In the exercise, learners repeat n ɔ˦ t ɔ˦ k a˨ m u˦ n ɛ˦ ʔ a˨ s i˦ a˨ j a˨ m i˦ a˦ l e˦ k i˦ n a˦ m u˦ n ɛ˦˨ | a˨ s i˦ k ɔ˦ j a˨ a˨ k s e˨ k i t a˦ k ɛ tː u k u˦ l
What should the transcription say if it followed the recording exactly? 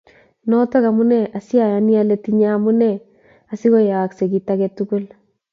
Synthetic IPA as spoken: n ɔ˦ t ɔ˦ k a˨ m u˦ n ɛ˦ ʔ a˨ s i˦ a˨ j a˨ n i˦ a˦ l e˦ t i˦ ɲ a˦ m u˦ n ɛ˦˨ | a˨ s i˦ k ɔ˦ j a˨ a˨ k s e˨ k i t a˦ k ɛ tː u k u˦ l